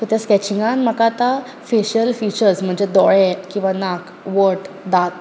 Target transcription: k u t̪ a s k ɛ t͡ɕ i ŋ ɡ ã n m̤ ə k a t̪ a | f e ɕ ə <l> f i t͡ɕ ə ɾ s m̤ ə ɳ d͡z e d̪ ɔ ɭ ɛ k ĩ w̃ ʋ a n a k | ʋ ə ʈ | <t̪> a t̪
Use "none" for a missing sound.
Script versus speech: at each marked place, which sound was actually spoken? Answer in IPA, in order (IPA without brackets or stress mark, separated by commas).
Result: l, d̪